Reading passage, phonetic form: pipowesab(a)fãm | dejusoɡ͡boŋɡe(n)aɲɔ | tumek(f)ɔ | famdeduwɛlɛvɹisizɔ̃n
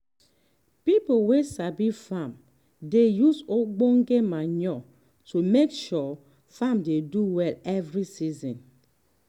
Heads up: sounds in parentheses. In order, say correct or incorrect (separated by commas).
incorrect, incorrect, incorrect